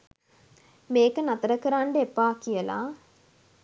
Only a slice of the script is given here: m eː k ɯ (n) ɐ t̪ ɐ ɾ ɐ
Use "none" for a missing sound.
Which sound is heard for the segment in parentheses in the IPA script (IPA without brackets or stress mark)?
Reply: n